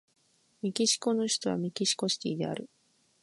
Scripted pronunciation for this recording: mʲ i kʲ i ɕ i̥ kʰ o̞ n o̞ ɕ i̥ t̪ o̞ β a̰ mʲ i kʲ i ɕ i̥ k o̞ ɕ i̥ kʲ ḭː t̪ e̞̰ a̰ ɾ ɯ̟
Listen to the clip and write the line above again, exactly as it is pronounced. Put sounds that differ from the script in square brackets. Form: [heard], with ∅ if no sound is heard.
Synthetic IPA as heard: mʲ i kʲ i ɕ i̥ [k] o̞ n o̞ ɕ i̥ t̪ o̞ β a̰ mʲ i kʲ i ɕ i̥ k o̞ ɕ i̥ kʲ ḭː [d̪] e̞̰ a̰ ɾ ɯ̟